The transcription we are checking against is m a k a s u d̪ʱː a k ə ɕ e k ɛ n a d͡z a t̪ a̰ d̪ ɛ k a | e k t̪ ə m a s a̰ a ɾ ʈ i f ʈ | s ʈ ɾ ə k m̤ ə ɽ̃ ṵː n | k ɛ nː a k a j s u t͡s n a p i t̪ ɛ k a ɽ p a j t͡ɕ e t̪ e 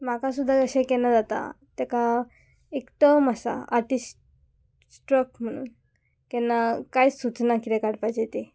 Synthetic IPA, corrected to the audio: m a k a s u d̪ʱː a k ə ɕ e k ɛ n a d͡z a t̪ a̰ t̪ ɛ k a | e k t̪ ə m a s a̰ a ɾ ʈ i s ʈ | s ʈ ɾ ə k m̤ ə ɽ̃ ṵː n | k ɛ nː a k a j s u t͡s n a k i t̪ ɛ k a ɽ p a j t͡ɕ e t̪ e